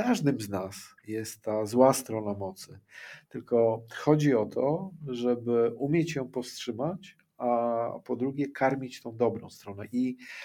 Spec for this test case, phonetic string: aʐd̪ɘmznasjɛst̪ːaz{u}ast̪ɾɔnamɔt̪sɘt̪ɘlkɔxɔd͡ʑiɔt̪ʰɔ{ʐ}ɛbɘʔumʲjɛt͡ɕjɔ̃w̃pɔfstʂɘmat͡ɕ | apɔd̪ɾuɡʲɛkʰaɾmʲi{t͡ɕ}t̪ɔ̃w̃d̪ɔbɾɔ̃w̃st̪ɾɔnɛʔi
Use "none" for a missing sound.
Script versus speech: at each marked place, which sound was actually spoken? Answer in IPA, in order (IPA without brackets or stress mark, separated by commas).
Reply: w, ʐ, t͡ɕ